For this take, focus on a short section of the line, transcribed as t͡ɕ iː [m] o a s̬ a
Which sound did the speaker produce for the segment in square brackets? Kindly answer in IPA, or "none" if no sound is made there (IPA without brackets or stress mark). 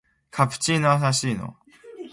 n